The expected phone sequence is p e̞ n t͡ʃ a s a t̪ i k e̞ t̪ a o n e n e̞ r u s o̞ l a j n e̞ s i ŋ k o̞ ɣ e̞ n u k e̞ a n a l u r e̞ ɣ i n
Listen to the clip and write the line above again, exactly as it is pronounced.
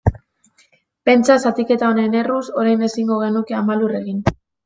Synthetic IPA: p e̞ n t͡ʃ a s a t̪ i k e̞ t̪ a o n e n e̞ r u s o̞ ɾ a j n e̞ s i ŋ ɡ o̞ ɣ e̞ n u k e̞ a m a l u r e̞ ɣ i n